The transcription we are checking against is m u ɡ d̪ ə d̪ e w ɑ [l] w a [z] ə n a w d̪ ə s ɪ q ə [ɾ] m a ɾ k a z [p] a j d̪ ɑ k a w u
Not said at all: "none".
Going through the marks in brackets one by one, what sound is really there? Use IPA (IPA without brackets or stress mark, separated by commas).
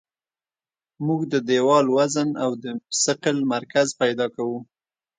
l, z, l, p